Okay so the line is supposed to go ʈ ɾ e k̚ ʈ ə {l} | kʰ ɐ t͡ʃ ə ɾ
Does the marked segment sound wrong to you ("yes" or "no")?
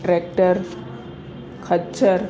yes